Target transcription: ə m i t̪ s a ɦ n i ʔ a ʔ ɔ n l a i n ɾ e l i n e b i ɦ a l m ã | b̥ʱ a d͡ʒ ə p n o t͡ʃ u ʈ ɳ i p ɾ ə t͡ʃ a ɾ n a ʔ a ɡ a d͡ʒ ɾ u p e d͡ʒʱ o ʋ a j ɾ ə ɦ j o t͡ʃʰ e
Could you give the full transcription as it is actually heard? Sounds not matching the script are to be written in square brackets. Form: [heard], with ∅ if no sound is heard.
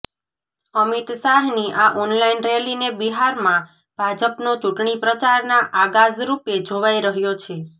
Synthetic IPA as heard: ə m i t̪ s a ɦ n i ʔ a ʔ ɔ n l a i n ɾ e l i n e b i ɦ a [ɾ] m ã | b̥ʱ a d͡ʒ ə p n o t͡ʃ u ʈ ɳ i p ɾ ə t͡ʃ a ɾ n a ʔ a ɡ a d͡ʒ ɾ u p e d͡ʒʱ o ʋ a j ɾ ə ɦ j o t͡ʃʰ e